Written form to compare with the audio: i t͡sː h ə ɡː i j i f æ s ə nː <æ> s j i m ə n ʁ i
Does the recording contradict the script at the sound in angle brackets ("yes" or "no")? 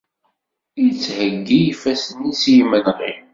yes